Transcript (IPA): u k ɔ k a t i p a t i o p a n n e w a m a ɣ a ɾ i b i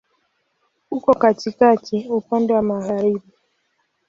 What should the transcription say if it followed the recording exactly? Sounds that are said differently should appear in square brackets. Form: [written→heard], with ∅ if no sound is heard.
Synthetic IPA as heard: u k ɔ k a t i [p→k] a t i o p a n [n→d] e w a m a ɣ a ɾ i b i